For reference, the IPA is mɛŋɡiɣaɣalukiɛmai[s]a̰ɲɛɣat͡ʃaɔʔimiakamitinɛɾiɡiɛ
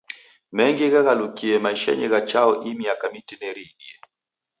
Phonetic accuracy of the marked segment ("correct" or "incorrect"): incorrect